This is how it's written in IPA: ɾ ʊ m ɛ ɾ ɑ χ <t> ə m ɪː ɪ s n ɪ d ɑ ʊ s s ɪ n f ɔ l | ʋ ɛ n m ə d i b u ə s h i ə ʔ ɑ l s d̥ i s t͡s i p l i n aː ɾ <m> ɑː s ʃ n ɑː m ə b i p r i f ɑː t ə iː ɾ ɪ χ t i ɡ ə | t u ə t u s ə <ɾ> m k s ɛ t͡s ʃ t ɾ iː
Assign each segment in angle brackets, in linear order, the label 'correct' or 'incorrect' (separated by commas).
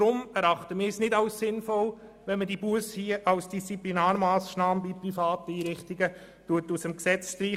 correct, correct, incorrect